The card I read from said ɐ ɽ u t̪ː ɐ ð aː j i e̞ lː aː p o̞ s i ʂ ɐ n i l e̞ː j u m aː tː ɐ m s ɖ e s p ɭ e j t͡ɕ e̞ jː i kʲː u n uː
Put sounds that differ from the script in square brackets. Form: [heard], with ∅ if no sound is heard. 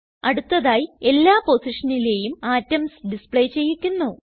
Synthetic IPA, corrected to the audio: ɐ ɽ u t̪ː ɐ ð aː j i e̞ lː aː p o̞ s i ʂ ɐ n i l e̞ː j u m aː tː ɐ m s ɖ [i] s p ɭ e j t͡ɕ e̞ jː i kʲː u [nː] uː